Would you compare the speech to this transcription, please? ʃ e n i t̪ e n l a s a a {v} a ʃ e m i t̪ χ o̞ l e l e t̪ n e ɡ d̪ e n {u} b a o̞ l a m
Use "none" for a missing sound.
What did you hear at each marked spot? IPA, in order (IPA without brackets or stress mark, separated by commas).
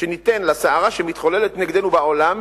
ʁ, u